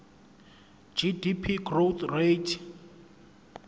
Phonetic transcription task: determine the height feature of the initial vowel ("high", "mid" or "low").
high